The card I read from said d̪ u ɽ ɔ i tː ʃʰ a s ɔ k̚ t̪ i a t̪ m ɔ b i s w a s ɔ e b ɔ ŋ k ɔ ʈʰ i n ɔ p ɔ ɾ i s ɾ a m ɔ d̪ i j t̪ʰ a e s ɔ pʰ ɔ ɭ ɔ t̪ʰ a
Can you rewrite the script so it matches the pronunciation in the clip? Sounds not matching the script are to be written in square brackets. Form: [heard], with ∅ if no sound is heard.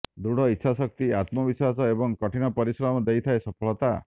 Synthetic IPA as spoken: d̪ u ɽ ɔ i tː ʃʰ a s ɔ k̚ t̪ i a t̪ m ɔ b i s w a s ɔ e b ɔ ŋ k ɔ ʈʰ i n ɔ p ɔ ɾ i s ɾ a m ɔ d̪ [e] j t̪ʰ a e s ɔ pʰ ɔ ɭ ɔ [t̪] a